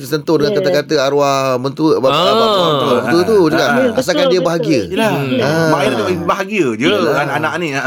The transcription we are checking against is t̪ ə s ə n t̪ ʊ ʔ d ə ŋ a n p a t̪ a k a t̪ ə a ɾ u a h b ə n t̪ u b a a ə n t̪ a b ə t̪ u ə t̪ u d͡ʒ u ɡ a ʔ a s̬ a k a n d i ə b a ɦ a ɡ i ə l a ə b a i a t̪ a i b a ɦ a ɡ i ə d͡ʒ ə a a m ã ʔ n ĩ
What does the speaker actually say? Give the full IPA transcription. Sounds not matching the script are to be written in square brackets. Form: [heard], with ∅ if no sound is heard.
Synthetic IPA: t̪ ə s ə n t̪ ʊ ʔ d ə ŋ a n [k] a t̪ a k a t̪ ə a ɾ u a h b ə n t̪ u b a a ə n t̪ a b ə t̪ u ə t̪ u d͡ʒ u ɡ a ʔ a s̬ a k a n d i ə b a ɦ a ɡ i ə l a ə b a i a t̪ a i b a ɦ a ɡ i ə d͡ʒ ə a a [n] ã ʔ n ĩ